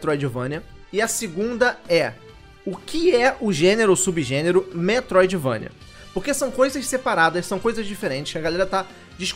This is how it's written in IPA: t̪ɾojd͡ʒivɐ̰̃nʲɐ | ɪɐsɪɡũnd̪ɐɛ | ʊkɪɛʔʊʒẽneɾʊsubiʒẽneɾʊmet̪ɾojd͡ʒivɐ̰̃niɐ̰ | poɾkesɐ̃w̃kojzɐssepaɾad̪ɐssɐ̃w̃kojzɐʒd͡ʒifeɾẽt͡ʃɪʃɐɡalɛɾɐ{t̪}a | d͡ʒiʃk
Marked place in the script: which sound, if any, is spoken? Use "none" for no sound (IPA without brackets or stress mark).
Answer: t̪